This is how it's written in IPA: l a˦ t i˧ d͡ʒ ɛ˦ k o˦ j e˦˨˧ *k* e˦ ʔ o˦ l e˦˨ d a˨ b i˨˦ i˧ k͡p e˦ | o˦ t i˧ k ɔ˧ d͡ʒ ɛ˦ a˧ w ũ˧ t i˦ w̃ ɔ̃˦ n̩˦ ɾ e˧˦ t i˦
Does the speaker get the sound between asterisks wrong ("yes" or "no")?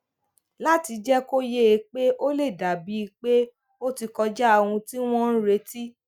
yes